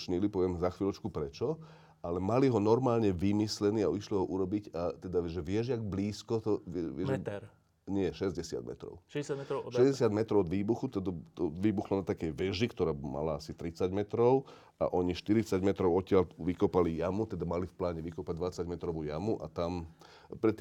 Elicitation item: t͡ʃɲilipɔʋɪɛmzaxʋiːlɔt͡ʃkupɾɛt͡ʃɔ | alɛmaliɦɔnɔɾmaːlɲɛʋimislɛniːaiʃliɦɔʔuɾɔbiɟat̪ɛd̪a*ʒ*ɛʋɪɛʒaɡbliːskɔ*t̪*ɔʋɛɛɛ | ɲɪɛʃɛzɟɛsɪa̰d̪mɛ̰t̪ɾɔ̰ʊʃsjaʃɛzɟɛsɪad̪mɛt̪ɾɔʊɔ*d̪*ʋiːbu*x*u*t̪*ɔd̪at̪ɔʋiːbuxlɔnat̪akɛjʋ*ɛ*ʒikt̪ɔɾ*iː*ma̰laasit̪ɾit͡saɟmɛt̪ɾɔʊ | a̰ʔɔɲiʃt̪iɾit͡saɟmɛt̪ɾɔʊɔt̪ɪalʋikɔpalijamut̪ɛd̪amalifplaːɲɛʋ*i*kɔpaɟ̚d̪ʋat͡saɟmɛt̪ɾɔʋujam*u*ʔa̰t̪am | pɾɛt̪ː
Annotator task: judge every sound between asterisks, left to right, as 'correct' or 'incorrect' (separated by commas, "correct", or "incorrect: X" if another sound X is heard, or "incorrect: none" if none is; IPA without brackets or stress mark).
correct, correct, correct, correct, correct, correct, incorrect: aː, correct, correct